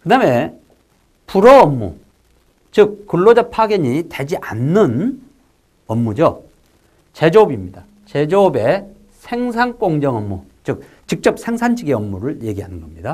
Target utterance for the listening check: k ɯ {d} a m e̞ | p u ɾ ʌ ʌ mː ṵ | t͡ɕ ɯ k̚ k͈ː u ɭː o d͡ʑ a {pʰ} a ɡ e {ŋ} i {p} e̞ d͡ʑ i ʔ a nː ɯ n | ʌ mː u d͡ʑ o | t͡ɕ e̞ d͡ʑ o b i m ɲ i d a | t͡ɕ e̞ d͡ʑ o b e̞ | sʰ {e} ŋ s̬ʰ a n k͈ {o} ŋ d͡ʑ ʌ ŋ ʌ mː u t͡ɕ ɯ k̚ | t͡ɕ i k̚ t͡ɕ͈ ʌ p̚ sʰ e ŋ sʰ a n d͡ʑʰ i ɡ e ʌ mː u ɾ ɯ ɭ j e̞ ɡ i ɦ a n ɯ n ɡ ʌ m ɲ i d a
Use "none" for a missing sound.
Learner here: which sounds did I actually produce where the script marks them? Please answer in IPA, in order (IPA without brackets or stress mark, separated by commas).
d, pʰ, ɲ, t, e, o